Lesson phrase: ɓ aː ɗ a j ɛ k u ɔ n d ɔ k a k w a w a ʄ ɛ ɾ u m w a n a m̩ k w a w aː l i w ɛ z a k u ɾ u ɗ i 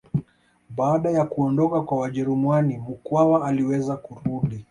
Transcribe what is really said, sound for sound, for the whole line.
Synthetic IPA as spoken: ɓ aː ɗ a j a k u ɔ n d ɔ k a k w a w a ʄ ɛ ɾ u m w a n i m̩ k w a w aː l i w ɛ z a k u ɾ u ɗ i

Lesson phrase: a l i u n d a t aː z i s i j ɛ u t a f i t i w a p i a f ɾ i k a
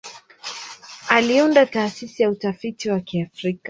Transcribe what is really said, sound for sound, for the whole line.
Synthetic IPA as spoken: a l i u n d a t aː s i s i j a u t a f i t i w a k i a f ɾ i k a

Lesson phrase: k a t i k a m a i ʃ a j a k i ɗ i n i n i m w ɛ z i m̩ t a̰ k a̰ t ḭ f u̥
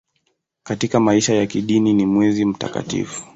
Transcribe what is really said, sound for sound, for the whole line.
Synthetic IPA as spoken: k a t i k a m a i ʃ a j a k i ɗ i n i n i m w ɛ z i m̩ t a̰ k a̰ t ḭ f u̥

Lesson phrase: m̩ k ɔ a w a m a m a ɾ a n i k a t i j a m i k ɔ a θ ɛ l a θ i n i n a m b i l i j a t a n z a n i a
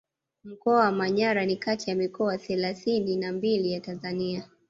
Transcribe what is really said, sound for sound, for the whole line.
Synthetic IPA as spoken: m̩ k ɔ a w a m a ɲ a ɾ a n i k a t i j a m i k ɔ a θ ɛ l a θ i n i n a m b i l i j a t a n z a n i a

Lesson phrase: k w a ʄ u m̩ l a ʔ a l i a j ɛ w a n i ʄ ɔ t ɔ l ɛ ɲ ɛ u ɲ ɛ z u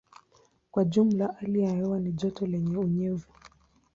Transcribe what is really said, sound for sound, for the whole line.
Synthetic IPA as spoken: k w a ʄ u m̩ l a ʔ a l i a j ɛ w a n i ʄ ɔ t ɔ l ɛ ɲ ɛ u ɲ ɛ v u

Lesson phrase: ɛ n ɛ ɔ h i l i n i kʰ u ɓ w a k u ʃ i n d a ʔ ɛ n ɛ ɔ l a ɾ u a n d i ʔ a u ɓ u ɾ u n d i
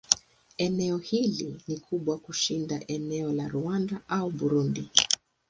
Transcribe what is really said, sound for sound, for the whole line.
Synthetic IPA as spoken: ɛ n ɛ ɔ h i l i n i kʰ u ɓ w a k u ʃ i n d a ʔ ɛ n ɛ ɔ l a ɾ u a n d a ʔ a u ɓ u ɾ u n d i

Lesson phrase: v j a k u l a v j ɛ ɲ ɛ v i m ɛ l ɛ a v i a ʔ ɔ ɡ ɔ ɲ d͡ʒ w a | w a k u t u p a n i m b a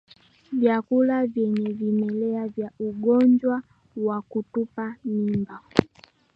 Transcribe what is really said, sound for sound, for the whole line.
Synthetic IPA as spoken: v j a k u l a v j ɛ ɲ ɛ v i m ɛ l ɛ a v j a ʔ u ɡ ɔ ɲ d͡ʒ w a | w a k u t u p a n i m b a

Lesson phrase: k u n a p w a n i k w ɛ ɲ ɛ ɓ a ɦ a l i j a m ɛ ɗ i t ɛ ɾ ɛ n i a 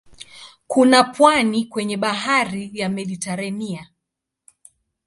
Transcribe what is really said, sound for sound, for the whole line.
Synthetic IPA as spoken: k u n a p w a n i k w ɛ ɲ ɛ ɓ a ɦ a ɾ i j a m ɛ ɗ i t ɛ ɾ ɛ n i a

